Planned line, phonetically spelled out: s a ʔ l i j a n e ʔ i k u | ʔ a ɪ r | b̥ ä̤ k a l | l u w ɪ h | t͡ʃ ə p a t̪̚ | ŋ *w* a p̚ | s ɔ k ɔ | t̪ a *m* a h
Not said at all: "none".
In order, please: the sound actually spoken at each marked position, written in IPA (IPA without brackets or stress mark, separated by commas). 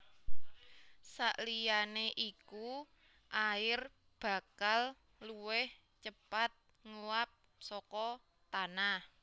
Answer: u, n